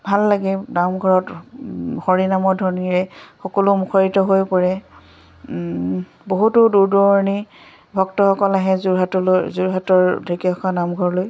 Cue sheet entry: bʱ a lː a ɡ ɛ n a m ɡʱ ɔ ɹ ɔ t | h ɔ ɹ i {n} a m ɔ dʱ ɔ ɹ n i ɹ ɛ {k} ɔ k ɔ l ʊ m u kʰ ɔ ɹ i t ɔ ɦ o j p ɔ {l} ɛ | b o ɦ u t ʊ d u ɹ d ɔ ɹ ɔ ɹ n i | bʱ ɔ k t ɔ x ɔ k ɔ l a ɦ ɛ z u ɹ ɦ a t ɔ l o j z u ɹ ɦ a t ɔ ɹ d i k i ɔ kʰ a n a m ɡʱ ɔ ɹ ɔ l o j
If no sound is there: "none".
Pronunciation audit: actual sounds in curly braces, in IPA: n, x, ɹ

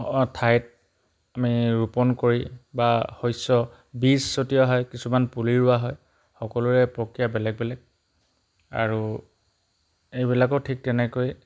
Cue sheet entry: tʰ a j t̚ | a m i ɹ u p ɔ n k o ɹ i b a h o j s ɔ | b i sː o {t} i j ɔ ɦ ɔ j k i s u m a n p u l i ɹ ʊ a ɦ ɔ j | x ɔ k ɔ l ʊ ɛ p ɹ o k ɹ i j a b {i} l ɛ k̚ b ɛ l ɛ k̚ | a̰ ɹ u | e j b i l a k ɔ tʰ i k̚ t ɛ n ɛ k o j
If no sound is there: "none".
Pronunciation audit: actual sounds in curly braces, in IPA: t, ɛ

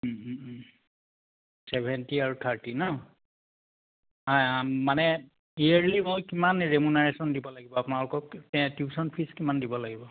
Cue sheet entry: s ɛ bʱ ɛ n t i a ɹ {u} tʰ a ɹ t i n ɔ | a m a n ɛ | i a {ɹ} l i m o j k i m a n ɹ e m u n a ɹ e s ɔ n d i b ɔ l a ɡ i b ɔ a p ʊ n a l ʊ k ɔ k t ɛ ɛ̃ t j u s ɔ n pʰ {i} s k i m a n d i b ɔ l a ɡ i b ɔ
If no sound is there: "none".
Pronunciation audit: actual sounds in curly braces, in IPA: u, ɹ, i

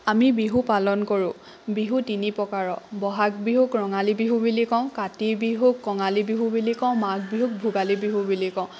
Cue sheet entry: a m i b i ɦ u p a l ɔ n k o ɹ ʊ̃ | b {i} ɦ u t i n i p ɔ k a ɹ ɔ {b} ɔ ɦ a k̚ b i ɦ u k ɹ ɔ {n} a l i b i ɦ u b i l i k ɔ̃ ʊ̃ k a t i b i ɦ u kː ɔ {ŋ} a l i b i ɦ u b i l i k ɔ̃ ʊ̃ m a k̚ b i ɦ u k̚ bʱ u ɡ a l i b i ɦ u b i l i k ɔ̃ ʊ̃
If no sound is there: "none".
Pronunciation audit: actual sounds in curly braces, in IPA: i, b, ŋ, ŋ

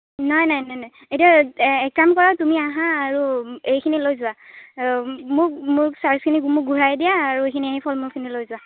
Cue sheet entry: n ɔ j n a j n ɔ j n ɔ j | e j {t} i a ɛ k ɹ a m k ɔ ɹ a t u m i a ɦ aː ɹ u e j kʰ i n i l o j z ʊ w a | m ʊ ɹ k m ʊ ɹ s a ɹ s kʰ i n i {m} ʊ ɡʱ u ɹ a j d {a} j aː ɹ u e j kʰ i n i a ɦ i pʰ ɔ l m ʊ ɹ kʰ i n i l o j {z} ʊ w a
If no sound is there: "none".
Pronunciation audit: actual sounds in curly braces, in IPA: t, m, i, z

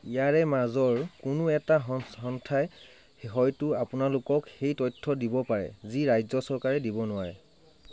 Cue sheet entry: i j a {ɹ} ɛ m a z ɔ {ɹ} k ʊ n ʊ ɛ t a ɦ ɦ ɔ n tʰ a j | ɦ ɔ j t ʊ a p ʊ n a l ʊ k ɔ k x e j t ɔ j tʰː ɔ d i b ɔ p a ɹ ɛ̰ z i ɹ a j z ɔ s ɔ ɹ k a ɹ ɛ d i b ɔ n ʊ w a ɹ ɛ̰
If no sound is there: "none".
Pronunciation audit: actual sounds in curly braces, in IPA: ɹ, ɹ

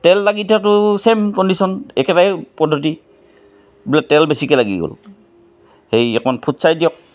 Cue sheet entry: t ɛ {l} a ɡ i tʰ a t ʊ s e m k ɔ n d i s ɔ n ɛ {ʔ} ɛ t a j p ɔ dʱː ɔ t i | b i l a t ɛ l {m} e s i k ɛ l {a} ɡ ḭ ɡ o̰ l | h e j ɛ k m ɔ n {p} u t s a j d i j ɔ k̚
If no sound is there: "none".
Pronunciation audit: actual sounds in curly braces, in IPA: lː, k, b, a, pʰ

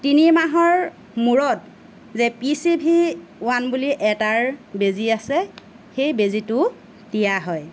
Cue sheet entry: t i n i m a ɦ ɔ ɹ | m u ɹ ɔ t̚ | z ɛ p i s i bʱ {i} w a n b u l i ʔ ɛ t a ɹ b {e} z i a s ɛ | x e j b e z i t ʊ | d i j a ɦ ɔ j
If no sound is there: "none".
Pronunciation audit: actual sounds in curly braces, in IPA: i, e

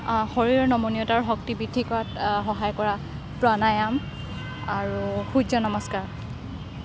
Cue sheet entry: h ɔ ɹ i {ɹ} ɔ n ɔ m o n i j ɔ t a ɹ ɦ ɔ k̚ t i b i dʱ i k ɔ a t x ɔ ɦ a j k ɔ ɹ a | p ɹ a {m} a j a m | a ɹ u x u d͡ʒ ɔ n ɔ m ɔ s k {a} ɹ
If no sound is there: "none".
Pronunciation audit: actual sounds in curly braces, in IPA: ɹ, n, a

